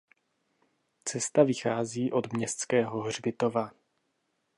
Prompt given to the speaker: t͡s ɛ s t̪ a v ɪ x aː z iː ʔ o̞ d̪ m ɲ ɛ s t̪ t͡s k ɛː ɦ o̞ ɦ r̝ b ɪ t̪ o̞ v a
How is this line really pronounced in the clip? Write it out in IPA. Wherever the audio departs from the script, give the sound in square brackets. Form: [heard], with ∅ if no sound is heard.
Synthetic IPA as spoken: t͡s ɛ s t̪ a v ɪ x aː z iː ʔ o̞ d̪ m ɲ ɛ s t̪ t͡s k ɛː ɦ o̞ ɦ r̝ b ɪ t̪ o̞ v a